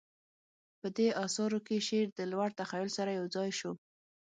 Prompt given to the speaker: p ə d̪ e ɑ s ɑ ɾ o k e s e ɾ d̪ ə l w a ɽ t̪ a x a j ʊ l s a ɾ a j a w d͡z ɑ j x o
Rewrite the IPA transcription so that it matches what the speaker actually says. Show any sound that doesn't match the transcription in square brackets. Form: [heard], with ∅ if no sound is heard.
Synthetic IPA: p ə d̪ e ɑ s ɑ ɾ o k e [ʃ] e ɾ d̪ ə l w a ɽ t̪ a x a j ʊ l s a ɾ a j a w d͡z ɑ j [ʃ] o

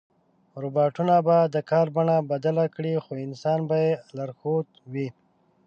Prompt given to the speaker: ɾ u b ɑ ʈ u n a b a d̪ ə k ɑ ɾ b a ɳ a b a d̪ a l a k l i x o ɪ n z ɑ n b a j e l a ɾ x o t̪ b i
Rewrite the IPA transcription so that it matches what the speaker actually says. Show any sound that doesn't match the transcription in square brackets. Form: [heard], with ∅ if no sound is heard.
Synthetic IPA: ɾ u b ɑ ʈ u n a b a d̪ ə k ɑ ɾ b a ɳ a b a d̪ a l a k [ɽ] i x o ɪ n [s] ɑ n b a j e l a ɾ x o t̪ [w] i

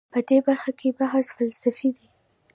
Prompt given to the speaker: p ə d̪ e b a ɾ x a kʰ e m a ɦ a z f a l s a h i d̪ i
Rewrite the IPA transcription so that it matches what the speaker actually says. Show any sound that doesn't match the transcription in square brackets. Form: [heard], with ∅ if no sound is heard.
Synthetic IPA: p ə d̪ e b a ɾ x a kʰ e [b] a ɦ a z f a l s a [f] i d̪ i

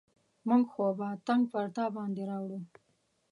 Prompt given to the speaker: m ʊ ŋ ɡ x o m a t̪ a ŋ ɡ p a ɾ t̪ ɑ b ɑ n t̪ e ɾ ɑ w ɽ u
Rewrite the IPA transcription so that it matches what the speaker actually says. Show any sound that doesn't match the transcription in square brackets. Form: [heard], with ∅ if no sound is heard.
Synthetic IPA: m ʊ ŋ ɡ x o [b] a t̪ a ŋ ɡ p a ɾ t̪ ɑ b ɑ n [d̪] e ɾ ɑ w ɽ u

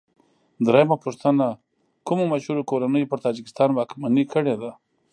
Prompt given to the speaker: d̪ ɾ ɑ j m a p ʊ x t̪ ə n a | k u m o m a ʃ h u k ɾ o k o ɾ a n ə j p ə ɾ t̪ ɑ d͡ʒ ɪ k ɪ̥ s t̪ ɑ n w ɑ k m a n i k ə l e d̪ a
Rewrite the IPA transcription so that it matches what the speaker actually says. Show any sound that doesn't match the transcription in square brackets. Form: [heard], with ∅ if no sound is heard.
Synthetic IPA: d̪ ɾ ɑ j m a p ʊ [ʂ] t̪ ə n a | k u m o m a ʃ h u [∅] ɾ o k o ɾ a n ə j p ə ɾ t̪ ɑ d͡ʒ ɪ k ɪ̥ s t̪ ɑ n w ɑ k m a n i k ə [ɽ] e d̪ a

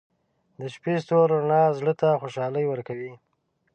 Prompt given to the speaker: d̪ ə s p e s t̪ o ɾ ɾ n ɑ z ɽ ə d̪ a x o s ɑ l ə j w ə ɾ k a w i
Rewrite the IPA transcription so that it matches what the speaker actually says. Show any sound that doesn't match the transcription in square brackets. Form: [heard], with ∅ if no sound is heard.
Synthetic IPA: d̪ ə [ʃ] p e s t̪ o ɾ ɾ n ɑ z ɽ ə [t̪] a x o [ʃ] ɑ l ə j w ə ɾ k a w i

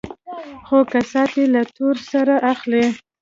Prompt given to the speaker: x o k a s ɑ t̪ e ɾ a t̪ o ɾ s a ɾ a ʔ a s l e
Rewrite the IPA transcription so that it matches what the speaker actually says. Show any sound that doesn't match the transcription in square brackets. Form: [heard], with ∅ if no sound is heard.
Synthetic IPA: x o k a s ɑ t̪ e [l] a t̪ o ɾ s a ɾ a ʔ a [x] l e

